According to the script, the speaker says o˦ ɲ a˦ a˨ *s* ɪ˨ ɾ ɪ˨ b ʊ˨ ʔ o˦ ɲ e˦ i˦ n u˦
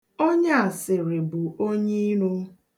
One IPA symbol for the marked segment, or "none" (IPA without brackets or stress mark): s